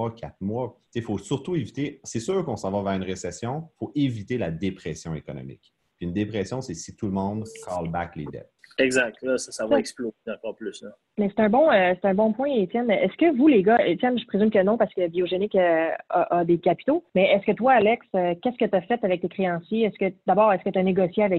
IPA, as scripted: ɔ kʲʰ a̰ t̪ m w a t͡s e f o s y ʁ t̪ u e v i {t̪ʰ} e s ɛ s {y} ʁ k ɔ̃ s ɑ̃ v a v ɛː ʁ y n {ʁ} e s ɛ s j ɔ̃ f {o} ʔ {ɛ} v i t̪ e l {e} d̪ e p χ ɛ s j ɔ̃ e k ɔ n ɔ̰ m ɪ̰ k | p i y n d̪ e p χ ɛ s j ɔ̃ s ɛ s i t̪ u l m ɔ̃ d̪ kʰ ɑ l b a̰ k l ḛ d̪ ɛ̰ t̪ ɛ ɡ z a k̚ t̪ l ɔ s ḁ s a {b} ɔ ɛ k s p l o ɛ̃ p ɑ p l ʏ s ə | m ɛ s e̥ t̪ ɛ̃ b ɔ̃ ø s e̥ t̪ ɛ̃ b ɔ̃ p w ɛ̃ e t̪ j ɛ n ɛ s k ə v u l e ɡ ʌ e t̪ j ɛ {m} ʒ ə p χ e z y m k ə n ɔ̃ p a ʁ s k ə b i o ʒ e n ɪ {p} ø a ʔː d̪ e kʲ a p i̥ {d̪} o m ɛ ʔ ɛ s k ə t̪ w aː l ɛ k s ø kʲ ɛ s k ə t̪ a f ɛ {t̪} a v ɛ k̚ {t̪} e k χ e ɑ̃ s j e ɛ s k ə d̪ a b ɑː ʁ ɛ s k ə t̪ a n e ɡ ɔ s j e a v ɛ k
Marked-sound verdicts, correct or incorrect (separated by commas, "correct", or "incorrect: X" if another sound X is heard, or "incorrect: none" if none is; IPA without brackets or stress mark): incorrect: t̪, incorrect: yː, correct, correct, incorrect: e, incorrect: a, incorrect: v, incorrect: n, incorrect: k, incorrect: t̪, correct, correct